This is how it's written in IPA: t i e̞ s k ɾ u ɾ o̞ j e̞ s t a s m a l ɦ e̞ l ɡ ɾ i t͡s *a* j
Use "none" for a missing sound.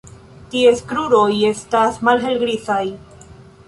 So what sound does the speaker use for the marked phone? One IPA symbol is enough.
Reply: a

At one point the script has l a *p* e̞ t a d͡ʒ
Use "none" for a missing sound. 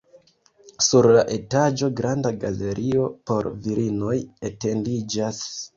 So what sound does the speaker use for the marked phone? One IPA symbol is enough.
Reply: ʔ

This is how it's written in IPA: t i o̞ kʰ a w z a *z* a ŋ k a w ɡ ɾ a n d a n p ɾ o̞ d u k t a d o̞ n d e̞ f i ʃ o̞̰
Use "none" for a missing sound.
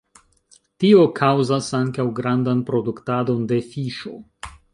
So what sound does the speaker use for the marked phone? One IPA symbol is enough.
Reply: s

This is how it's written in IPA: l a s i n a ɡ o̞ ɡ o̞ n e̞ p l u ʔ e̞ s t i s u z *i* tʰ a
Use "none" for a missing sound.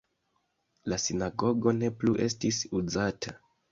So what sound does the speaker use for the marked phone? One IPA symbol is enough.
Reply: a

